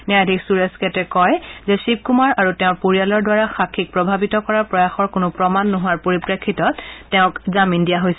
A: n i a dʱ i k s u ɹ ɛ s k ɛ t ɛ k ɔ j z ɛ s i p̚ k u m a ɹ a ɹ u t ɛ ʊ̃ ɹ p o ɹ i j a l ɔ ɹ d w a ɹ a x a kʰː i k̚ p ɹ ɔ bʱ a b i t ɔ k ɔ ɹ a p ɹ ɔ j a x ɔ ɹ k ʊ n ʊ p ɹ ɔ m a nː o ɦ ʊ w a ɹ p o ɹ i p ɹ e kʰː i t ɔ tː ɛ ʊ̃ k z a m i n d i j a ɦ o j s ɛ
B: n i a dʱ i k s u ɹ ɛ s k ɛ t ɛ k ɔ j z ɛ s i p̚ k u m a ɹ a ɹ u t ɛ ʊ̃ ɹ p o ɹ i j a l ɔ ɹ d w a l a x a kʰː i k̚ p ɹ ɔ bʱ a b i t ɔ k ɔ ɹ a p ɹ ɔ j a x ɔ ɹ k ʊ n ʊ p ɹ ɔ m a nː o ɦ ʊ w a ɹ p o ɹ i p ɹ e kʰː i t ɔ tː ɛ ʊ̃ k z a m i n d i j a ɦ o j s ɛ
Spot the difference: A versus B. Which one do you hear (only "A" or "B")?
A